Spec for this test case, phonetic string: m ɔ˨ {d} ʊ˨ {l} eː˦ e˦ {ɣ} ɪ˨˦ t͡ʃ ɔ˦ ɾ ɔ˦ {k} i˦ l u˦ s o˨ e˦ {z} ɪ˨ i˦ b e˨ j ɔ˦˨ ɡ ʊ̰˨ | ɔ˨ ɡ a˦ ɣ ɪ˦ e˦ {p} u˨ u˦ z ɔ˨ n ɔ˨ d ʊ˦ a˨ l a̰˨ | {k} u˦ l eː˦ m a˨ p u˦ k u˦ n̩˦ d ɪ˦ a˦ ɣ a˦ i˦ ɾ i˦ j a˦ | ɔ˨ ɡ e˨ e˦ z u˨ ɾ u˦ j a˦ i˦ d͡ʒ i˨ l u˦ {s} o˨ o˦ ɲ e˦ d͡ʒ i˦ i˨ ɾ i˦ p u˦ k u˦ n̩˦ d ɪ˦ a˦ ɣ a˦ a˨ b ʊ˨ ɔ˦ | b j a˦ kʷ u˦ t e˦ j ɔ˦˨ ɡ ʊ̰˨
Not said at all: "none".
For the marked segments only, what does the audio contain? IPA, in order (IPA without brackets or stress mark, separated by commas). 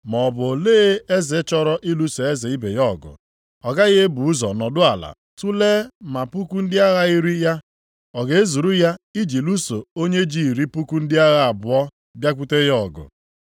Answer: b, l, z, ʔ, z, b, t, s